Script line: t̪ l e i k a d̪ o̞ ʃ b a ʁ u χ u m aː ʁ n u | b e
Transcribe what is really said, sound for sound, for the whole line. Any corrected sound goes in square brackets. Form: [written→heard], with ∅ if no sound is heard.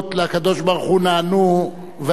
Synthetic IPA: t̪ l e [i→a] k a d̪ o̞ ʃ b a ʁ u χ u [m→n] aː [ʁ→∅] n u | [b→v] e

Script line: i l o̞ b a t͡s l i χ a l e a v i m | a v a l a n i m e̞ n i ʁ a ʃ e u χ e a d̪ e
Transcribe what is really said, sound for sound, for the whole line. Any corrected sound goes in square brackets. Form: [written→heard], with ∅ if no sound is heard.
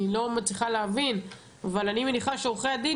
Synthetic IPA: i l o̞ [b→m] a t͡s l i χ a l e a v i [m→n] | a v a l a n i m e̞ n i [ʁ→χ] a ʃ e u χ e a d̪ [e→i]

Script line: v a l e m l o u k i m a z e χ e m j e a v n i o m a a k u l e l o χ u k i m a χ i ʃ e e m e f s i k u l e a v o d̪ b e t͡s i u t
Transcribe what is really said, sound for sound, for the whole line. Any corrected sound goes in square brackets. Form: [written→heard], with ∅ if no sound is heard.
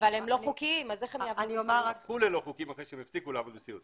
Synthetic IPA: v a l e m l o u k i m a z e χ e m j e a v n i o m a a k u l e l o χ u k i m a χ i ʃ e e m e f s i k u l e a v o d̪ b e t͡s i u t

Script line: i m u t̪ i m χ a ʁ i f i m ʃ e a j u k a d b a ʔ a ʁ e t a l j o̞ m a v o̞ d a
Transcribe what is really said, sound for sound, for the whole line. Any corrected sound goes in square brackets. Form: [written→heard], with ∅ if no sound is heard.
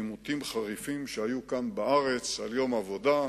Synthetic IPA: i m u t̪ i m χ a ʁ i f i m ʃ e a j u k a [d→n] b a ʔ a ʁ e [t→t͡s] a l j o̞ m a v o̞ d a

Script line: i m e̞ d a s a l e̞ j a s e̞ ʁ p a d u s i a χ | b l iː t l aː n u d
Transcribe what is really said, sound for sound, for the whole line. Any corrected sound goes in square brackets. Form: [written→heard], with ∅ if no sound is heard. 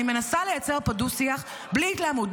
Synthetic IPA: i m e̞ [d→n] a s a l e̞ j a [s→t͡s] e̞ ʁ p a d u s i a χ | b l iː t l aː [n→m] u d

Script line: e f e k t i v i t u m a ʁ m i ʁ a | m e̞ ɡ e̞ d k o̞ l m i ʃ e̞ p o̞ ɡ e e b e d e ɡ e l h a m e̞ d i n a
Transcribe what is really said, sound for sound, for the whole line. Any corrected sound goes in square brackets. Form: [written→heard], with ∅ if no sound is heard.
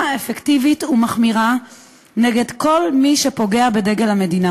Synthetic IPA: e f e k t i v i t u m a [ʁ→χ] m i ʁ a | [m→n] e̞ ɡ e̞ d k o̞ l m i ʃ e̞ p o̞ ɡ e [e→a] b e d e ɡ e l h a m e̞ d i n a

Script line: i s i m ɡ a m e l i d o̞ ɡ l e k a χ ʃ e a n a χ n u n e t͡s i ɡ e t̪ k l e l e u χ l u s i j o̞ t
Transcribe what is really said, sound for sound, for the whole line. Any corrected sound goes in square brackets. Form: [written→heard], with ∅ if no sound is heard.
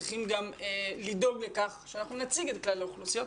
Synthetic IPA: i [s→χ] i m ɡ a m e l i d o̞ ɡ l e k a χ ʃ e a n a χ n u n [e→a] t͡s i ɡ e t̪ k l [e→a] l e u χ l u s i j o̞ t

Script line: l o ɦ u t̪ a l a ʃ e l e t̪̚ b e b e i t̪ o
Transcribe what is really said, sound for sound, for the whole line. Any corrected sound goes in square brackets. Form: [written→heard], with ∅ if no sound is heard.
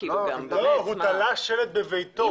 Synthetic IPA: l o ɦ u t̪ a l a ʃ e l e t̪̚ b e [b→v] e [i→j] t̪ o

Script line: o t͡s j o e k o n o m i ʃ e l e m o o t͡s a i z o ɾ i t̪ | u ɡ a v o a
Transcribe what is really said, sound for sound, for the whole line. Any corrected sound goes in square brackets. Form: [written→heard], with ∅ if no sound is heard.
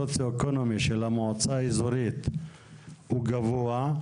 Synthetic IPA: o t͡s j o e k o n o m i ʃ e l [e→a] m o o t͡s a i z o ɾ i t̪ | u ɡ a v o a

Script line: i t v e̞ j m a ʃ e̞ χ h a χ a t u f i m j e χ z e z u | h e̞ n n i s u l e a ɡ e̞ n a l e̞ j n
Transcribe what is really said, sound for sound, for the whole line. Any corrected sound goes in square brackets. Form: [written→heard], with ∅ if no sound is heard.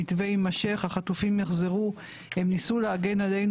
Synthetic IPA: i t v e̞ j m a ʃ e̞ χ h a χ a t u f i m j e χ z e [z→ʁ] u | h e̞ [n→m] n i s u l e a ɡ e̞ n a l e̞ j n

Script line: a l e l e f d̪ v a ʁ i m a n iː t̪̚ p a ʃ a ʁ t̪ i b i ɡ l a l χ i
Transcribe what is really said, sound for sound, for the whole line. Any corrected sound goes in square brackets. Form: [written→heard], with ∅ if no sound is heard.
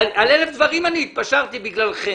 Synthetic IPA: a l e l e f d̪ v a ʁ i m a n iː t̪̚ p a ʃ a ʁ t̪ i b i ɡ l a l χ [i→e]

